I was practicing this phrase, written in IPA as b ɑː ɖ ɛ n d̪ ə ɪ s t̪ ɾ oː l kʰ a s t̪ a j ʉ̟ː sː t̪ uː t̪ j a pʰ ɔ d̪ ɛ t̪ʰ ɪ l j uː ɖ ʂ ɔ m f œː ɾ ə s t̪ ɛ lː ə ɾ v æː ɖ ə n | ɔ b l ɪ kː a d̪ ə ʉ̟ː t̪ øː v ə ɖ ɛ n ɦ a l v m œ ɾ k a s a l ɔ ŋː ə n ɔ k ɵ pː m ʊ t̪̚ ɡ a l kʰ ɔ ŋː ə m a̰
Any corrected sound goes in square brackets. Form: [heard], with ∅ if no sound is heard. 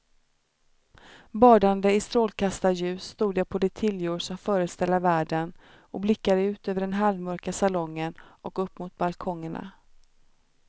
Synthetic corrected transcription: b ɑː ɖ [a] n d̪ ə ɪ s t̪ ɾ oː l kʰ a s t̪ a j ʉ̟ː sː t̪ uː [d̪] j a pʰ ɔ d̪ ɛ t̪ʰ ɪ l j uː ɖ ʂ ɔ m f œː ɾ ə s t̪ ɛ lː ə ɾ v æː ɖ ə n | ɔ b l ɪ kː a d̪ ə ʉ̟ː t̪ øː v ə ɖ ɛ n ɦ a l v m œ ɾ k a s a l ɔ ŋː ə n ɔ k ɵ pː m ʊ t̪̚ [b] a l kʰ ɔ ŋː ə [ɳ] a̰